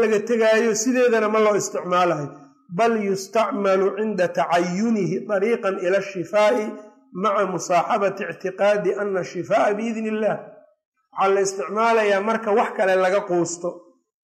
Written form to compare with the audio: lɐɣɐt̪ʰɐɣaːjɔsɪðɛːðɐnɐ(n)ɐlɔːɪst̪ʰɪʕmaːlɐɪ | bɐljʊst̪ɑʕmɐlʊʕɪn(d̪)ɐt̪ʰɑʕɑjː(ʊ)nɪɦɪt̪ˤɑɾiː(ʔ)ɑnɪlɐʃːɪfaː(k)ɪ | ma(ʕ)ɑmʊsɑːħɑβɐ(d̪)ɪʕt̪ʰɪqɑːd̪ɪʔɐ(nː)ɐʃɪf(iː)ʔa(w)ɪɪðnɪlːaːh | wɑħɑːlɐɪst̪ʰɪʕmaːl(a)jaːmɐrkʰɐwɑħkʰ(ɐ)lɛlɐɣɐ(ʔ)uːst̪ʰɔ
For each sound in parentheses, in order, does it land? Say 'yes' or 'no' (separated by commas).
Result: no, yes, yes, no, no, yes, no, yes, no, no, no, yes, no